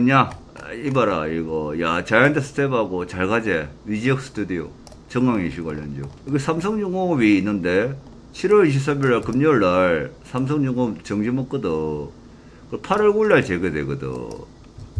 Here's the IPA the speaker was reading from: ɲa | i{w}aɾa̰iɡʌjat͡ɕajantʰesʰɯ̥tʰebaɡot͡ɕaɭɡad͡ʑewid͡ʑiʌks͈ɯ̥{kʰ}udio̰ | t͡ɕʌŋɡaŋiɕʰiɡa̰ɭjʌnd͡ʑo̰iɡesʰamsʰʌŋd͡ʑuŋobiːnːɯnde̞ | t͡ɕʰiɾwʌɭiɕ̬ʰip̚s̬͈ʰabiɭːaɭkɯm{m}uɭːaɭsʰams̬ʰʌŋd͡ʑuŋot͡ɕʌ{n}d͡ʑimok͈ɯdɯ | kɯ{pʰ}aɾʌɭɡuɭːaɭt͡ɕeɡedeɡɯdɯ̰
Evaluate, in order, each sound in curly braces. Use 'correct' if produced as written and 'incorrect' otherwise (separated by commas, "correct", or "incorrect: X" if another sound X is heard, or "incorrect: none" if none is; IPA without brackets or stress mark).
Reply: incorrect: b, incorrect: tʰ, incorrect: ɲ, incorrect: ŋ, correct